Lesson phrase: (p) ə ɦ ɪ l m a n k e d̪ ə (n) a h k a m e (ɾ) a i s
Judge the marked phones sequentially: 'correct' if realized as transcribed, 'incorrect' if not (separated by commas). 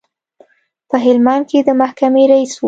correct, incorrect, correct